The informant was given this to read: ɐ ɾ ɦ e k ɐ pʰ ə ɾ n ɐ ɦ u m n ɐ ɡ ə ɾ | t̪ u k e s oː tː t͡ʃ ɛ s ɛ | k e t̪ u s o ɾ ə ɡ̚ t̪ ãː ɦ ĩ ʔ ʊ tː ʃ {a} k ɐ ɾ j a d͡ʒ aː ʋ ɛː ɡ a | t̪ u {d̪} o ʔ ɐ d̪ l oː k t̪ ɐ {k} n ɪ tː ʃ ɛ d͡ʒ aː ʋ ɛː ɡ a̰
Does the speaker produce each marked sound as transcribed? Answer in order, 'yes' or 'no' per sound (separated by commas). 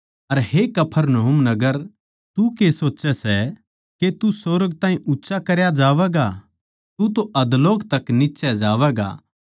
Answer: yes, no, yes